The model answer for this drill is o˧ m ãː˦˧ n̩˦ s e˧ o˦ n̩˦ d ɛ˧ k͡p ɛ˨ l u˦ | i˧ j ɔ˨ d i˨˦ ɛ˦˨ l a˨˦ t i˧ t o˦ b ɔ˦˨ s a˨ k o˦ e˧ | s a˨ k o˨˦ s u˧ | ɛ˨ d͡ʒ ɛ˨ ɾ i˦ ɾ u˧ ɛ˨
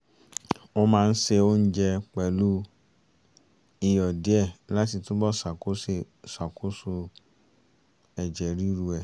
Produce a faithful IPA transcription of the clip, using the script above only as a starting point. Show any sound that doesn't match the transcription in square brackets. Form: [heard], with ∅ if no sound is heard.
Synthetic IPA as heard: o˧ m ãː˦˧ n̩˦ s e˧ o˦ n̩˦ [d͡ʒ] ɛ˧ k͡p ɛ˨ l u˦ | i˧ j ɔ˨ d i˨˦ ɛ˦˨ l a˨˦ t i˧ t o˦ b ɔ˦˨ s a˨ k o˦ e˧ | s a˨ k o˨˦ s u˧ | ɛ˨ d͡ʒ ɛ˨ ɾ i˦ ɾ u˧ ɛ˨